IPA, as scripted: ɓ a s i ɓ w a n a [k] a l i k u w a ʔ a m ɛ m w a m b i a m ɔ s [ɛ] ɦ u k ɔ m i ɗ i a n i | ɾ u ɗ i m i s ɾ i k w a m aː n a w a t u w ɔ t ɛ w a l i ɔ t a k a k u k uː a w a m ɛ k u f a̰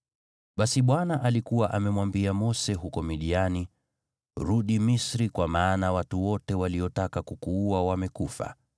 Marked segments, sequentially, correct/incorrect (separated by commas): incorrect, correct